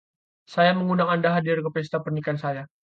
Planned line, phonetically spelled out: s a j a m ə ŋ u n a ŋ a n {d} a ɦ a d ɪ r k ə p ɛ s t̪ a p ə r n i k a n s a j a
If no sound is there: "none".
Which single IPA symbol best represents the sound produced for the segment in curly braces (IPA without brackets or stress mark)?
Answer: d